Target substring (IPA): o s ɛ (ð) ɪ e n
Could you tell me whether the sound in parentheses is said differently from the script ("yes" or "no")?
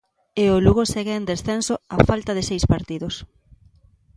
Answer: yes